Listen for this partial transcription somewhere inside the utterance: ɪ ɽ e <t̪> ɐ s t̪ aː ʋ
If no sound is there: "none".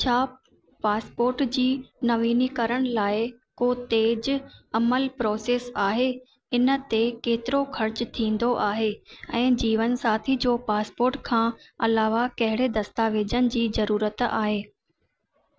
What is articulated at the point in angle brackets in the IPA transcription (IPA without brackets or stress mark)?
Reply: d̪